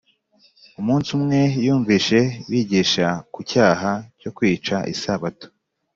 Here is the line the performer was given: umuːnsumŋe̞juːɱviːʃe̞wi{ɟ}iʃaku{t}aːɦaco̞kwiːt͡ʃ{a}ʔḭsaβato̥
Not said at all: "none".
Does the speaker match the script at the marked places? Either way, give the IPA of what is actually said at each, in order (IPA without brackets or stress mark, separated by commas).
ɟ, c, a